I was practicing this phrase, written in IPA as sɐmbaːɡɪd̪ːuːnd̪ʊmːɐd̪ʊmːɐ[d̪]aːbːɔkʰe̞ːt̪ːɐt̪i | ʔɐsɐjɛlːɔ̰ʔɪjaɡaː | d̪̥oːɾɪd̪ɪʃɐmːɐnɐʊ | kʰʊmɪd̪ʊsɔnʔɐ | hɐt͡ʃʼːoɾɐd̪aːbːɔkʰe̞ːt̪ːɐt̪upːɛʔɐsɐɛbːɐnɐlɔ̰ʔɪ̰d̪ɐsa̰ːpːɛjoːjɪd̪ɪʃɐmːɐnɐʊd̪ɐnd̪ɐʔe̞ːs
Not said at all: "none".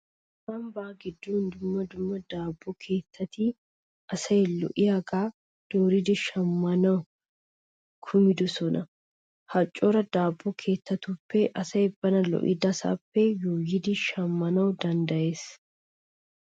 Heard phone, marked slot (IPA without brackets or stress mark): d̪